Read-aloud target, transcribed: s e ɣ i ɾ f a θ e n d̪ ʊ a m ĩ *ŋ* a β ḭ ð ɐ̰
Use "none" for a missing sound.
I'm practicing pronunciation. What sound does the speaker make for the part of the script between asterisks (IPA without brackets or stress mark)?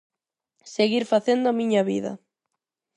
ɲ